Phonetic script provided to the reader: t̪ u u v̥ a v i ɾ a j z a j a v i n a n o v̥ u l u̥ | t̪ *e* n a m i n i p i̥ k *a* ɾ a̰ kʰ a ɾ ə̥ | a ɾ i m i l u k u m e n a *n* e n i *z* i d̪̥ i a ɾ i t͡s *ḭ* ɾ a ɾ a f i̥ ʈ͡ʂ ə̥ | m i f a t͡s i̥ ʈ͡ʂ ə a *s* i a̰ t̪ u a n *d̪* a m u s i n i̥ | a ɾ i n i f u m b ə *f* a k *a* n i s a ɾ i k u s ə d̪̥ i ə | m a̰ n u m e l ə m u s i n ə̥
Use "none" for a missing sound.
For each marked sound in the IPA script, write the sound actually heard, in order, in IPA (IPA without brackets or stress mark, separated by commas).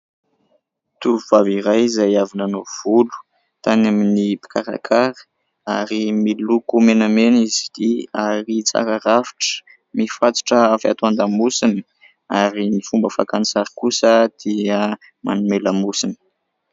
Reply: a, a, m, z, a̰, f, d̪, f, a